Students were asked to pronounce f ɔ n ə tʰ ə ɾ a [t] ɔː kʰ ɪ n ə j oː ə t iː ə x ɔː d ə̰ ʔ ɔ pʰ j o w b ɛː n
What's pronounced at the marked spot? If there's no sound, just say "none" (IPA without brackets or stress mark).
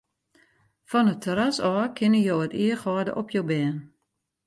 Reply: s